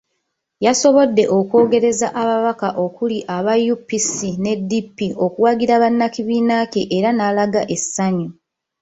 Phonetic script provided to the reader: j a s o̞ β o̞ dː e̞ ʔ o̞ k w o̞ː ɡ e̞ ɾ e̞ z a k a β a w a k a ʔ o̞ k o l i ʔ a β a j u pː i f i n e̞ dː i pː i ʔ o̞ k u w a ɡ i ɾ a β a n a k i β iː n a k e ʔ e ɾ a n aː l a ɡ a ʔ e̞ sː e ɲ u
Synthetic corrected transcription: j a s o̞ β o̞ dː e̞ ʔ o̞ k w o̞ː ɡ e̞ ɾ e̞ z a ʔ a β a β a k a ʔ o̞ k u l i ʔ a β a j u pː i s i n e̞ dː i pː i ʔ o̞ k u w a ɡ i ɾ a β a nː a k i β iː n a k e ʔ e ɾ a n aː l a ɡ a ʔ e̞ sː a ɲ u